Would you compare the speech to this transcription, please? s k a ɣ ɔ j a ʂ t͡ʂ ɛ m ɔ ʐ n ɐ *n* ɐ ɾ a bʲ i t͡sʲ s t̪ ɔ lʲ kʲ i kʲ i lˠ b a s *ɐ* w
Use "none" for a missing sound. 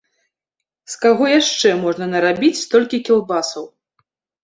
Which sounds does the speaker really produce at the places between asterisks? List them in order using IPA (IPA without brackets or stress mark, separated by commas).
n, ɐ